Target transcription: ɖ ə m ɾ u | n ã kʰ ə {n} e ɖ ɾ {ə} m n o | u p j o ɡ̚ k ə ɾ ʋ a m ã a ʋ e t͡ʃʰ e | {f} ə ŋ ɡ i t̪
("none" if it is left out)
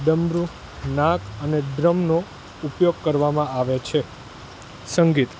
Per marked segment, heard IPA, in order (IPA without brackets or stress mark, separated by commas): n, ə, s